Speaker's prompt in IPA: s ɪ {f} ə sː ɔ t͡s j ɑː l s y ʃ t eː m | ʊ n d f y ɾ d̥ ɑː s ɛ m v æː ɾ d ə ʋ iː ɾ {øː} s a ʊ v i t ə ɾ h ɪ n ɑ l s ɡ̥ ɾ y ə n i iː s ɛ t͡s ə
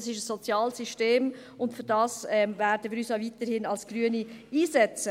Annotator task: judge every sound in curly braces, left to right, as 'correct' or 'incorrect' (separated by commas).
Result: incorrect, incorrect